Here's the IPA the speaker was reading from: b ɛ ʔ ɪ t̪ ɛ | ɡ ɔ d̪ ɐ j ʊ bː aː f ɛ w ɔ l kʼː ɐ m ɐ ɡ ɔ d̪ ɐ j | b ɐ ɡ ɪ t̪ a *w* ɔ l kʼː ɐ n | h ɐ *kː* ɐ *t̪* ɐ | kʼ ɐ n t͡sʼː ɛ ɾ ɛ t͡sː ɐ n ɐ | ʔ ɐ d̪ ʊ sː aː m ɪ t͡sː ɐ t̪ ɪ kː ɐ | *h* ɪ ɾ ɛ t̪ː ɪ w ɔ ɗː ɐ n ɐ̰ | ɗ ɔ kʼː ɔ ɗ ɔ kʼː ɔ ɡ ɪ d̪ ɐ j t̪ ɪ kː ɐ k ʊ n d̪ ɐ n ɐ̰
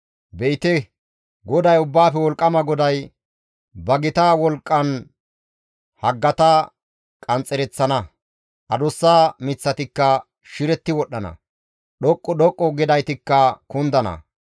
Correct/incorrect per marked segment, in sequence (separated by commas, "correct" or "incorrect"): correct, incorrect, correct, incorrect